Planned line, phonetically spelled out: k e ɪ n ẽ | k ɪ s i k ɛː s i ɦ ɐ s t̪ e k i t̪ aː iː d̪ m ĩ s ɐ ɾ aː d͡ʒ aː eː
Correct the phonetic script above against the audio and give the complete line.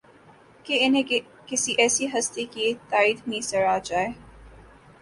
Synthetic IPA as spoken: k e ɪ n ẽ | k ɪ s i ʔ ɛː s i ɦ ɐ s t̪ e k i t̪ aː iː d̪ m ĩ s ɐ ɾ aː d͡ʒ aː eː